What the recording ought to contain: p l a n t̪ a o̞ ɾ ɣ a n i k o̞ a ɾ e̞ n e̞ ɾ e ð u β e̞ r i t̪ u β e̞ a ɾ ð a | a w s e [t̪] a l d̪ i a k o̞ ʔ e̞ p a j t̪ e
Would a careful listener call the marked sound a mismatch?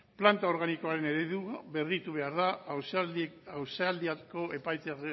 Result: yes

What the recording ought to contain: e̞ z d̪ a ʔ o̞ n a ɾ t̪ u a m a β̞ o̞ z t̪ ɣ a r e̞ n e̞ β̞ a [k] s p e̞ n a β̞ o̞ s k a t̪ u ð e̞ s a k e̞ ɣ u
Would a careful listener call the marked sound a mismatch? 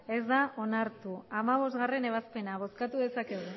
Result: yes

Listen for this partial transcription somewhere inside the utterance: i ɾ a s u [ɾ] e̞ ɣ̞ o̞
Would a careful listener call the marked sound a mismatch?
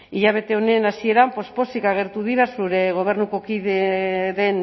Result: no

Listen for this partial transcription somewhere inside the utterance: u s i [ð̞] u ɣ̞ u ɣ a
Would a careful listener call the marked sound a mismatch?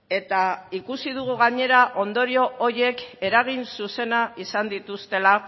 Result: no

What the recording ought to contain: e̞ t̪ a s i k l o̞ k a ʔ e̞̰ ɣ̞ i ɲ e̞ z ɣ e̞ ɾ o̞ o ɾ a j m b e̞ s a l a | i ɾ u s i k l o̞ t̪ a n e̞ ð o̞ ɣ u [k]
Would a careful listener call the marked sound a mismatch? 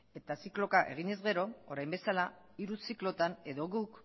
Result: no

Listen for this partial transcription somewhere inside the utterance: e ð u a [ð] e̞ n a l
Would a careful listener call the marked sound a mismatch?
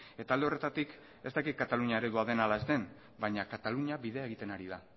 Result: no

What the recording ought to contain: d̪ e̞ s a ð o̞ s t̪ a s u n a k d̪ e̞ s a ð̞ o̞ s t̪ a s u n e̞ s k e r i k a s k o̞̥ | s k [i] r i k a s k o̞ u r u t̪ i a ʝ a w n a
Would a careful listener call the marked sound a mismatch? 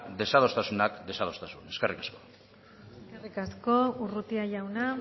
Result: yes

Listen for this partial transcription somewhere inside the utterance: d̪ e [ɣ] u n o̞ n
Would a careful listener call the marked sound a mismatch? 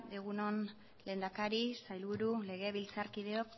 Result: no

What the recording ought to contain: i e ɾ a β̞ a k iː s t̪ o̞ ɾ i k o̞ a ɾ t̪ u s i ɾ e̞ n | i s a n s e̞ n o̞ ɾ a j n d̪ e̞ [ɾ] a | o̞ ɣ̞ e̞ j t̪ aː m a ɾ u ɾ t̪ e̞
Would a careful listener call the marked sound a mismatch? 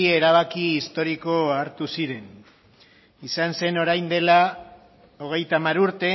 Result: yes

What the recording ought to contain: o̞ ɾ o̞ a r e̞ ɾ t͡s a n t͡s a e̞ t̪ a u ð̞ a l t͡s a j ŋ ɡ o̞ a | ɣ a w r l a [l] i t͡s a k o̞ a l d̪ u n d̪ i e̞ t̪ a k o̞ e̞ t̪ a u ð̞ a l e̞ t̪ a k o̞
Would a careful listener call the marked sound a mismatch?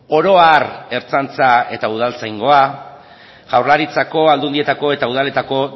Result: yes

